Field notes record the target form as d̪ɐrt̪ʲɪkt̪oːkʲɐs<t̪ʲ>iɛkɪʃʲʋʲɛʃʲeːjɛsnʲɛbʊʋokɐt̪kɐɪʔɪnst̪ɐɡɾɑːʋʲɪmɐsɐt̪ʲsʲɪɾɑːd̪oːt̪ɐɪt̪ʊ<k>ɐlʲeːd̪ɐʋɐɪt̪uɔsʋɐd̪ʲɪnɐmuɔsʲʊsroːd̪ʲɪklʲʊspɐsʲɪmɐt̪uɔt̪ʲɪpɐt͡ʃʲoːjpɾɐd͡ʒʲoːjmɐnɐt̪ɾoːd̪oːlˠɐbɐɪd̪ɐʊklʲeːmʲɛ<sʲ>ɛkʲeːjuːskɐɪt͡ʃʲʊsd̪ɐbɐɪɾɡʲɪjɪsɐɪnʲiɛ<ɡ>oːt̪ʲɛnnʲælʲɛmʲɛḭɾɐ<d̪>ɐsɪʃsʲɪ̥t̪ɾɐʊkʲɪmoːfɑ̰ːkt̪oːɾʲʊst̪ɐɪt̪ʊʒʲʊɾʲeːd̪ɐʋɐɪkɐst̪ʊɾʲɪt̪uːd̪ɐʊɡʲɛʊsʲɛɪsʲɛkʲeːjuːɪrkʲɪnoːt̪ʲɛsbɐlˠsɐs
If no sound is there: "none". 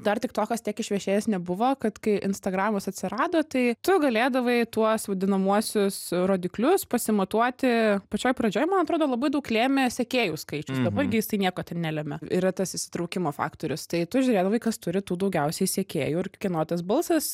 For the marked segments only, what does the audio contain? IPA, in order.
t̪ʲ, ɡ, sʲ, k, t̪

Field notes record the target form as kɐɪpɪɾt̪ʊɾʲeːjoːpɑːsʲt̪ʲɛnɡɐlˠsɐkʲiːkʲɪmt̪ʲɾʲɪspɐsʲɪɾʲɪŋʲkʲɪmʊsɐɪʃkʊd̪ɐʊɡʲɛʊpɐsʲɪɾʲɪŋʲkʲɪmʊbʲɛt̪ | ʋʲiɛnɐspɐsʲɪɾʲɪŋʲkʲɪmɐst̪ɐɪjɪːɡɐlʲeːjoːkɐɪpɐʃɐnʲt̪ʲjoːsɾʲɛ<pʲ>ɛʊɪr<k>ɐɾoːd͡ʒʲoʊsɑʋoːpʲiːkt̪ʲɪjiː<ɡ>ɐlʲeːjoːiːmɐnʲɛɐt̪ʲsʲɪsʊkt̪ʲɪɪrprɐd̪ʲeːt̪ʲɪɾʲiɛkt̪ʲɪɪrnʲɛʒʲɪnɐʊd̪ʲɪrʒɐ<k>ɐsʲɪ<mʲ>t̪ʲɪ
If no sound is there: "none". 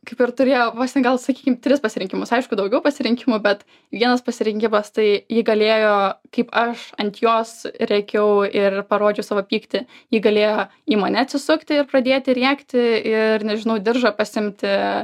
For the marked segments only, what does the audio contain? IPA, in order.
kʲ, p, ɡ, p, mʲ

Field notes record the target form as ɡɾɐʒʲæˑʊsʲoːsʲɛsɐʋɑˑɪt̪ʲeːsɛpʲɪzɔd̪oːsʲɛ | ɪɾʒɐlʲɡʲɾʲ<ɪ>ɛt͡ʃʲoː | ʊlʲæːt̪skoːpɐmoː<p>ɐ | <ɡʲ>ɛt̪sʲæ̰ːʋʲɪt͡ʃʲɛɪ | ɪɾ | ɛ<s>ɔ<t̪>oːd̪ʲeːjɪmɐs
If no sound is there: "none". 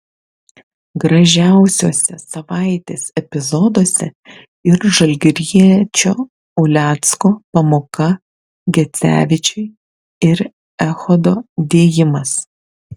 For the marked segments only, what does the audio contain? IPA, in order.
i, k, ɡʲ, x, d̪

